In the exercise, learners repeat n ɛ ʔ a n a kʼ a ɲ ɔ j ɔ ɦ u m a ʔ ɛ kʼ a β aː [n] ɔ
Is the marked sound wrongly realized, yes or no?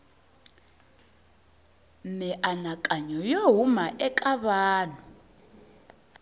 no